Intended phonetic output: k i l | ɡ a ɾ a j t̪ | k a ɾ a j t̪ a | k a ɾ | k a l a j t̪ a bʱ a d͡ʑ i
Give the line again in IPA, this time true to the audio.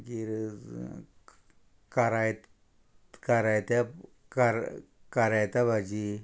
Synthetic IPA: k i ɾ | k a ɾ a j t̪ | k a ɾ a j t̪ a | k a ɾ | k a ɾ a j t̪ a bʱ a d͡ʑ i